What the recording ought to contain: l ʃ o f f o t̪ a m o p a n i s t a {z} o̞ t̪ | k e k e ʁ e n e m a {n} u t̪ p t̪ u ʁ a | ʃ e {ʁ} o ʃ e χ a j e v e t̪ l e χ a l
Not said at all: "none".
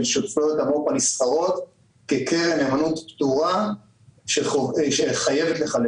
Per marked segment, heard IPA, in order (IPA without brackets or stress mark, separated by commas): ʁ, n, none